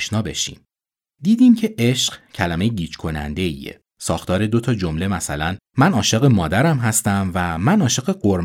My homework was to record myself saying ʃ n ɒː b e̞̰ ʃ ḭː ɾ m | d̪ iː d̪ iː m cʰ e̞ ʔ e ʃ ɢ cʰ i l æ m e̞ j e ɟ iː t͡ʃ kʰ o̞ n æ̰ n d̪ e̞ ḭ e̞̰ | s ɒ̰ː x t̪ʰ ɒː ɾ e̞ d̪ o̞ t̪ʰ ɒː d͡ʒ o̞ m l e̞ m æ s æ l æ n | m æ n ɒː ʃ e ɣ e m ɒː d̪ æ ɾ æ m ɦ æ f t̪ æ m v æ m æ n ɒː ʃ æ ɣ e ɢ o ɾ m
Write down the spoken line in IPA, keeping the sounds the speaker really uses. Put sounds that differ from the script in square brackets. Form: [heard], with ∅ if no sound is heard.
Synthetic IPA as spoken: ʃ n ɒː b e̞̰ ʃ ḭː [∅] m | d̪ iː d̪ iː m cʰ e̞ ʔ e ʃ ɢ cʰ [æ] l æ m e̞ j e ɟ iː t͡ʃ kʰ o̞ n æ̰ n d̪ e̞ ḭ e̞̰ | s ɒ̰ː x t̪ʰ ɒː ɾ e̞ d̪ o̞ t̪ʰ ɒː d͡ʒ o̞ m l e̞ m æ s æ l æ n | m æ n ɒː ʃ e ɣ e m ɒː d̪ æ ɾ æ m ɦ æ [s] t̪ æ m v æ m æ n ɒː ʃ [e] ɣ e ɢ o ɾ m